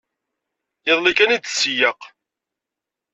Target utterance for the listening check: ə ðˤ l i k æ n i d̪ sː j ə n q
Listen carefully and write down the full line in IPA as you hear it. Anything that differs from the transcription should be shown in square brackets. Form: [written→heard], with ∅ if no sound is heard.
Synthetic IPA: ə ðˤ l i k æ n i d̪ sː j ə [n→∅] q